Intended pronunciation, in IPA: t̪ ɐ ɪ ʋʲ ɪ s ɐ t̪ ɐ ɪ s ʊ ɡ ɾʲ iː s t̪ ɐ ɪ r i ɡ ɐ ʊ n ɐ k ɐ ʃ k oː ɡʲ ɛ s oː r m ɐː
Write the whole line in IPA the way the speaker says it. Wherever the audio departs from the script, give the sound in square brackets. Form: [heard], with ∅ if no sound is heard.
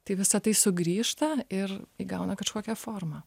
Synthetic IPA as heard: t̪ ɐ ɪ ʋʲ ɪ s ɐ t̪ ɐ ɪ s ʊ ɡ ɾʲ iː [ʃ] t̪ ɐ ɪ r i ɡ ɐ ʊ n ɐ k ɐ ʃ k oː [kʲ] ɛ [f] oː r m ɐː